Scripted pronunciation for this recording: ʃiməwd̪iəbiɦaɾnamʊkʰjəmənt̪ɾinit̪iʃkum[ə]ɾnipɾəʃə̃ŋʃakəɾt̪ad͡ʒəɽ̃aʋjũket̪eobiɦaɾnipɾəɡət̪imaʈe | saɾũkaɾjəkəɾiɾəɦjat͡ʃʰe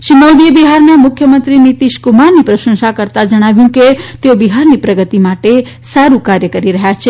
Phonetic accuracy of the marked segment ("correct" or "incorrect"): incorrect